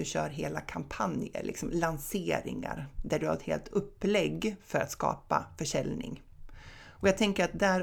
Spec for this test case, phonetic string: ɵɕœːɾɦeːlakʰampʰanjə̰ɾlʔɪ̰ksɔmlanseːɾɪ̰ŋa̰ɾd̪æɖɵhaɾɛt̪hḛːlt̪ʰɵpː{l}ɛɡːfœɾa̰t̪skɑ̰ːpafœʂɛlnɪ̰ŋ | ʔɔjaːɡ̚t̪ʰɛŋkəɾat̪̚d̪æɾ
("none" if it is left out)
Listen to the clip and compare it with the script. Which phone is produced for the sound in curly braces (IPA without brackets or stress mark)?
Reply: l